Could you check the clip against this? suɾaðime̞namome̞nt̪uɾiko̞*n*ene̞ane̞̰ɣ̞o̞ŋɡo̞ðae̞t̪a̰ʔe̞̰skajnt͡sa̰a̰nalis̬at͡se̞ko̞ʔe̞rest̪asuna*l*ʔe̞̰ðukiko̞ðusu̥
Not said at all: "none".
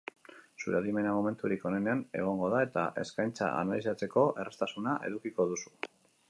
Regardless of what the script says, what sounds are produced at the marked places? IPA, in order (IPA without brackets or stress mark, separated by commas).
n, none